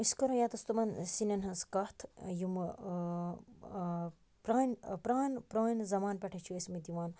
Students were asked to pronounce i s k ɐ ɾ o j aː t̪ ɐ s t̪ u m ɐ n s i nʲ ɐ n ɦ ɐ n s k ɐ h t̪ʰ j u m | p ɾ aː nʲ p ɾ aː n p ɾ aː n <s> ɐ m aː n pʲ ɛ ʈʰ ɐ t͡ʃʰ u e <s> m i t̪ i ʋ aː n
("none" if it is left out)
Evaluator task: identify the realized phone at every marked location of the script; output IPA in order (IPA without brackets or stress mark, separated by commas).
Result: z, s